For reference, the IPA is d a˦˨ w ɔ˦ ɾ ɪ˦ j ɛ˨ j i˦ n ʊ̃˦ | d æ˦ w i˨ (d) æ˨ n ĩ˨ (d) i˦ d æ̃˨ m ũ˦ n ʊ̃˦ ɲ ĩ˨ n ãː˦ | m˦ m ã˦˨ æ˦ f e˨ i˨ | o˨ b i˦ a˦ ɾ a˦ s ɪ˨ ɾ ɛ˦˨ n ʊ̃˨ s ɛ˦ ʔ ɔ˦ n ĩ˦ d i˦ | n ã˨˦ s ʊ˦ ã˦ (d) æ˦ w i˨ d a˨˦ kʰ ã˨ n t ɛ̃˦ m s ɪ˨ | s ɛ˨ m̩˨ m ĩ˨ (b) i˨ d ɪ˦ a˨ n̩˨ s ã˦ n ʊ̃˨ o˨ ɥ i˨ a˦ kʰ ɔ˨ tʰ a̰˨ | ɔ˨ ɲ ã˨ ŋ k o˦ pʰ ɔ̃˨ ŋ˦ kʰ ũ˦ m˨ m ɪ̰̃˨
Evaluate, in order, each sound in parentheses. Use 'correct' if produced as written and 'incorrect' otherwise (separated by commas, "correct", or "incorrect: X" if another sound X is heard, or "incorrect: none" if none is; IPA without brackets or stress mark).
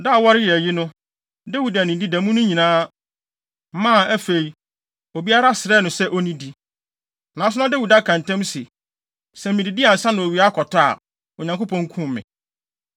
correct, correct, correct, incorrect: d